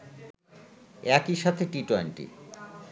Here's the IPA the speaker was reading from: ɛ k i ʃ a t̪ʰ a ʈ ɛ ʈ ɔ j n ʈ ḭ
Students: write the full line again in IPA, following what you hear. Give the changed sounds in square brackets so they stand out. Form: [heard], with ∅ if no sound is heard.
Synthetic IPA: ɛ k i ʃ a t̪ʰ [e] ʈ [i] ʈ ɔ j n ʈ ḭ

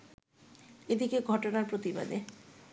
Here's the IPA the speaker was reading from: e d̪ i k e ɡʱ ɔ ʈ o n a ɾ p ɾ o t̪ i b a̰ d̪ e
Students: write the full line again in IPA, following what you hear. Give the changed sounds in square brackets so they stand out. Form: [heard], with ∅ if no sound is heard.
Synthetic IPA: e d̪ i k e ɡʱ ɔ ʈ o n a ɾ p ɾ o t̪ i b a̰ d̪ e

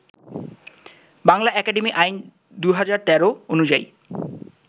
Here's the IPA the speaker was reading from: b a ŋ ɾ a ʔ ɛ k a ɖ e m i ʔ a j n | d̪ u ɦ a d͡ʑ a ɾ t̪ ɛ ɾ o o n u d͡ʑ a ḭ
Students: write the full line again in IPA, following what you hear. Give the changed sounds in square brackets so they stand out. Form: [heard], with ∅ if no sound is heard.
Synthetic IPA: b a ŋ [l] a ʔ ɛ k a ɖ e m i ʔ a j n | d̪ u ɦ a d͡ʑ a ɾ t̪ ɛ ɾ o o n u d͡ʑ a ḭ

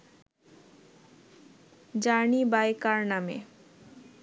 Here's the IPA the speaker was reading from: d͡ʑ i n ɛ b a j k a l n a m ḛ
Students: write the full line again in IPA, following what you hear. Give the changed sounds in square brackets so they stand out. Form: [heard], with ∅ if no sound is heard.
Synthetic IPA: d͡ʑ [a] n [i] b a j k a [ɾ] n a m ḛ

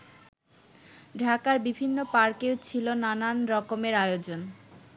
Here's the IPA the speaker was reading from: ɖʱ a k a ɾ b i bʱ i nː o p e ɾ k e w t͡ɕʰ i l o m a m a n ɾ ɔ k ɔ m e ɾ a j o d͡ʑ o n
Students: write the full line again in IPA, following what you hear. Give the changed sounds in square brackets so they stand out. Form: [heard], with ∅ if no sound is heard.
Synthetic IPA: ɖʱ a k a ɾ b i bʱ i nː o p [a] ɾ k e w t͡ɕʰ i l o [n] a [n] a n ɾ ɔ k [o] m e ɾ a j o d͡ʑ o n

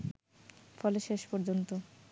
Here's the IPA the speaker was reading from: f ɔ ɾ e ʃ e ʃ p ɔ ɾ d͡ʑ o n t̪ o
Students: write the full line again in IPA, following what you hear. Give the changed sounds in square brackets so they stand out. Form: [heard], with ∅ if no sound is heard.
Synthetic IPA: f ɔ [l] e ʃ e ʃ p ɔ ɾ d͡ʑ o n t̪ o

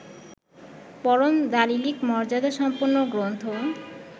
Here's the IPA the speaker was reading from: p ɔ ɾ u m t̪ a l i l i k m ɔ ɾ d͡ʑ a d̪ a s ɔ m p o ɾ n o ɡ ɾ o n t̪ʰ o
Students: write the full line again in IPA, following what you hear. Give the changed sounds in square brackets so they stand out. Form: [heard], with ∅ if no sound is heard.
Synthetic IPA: p ɔ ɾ [o] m [d̪] a l i l i k m ɔ ɾ d͡ʑ a d̪ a [ʃ] ɔ m p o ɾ n o ɡ ɾ o n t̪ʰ o

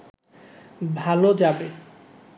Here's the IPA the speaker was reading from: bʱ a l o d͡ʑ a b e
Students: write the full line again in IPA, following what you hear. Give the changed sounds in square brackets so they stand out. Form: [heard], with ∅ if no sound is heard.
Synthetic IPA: bʱ a l o d͡ʑ a b e

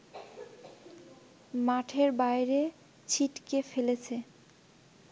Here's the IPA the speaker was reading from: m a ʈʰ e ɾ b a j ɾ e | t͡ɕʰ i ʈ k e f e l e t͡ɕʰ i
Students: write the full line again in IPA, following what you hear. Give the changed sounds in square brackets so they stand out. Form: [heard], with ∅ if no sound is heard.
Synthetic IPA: m a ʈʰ e ɾ b a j ɾ e | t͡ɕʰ i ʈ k e f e l e t͡ɕʰ [e]

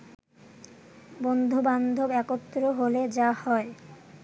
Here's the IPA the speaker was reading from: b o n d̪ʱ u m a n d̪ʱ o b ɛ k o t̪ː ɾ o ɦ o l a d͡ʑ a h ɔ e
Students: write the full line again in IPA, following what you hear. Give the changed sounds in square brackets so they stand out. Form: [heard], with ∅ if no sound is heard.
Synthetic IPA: b o n d̪ʱ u [b] a n d̪ʱ o b ɛ k o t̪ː ɾ o ɦ o l [e] d͡ʑ a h ɔ e

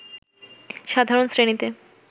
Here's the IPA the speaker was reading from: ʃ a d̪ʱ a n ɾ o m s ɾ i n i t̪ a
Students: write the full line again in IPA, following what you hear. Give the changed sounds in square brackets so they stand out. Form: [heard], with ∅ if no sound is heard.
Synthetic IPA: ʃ a d̪ʱ a [∅] ɾ o [n] s ɾ [e] n i t̪ [e]

